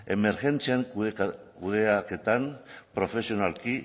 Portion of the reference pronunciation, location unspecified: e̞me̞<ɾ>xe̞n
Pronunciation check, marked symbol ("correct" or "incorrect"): correct